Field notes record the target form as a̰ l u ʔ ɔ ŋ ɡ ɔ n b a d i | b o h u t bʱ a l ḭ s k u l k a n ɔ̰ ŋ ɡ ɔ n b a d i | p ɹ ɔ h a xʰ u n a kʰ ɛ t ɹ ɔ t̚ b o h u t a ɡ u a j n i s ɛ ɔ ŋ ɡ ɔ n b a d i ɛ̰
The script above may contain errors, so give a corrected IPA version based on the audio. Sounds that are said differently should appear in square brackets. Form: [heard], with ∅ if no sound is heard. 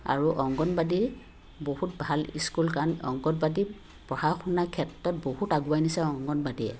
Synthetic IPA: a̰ [ɹ] u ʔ ɔ ŋ ɡ ɔ n b a d i | b o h u t bʱ a l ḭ s k u l k a n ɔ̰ ŋ ɡ ɔ n b a d i | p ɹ ɔ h a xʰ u n a kʰ ɛ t ɹ ɔ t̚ b o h u t a ɡ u a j n i s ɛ ɔ ŋ ɡ ɔ n b a d i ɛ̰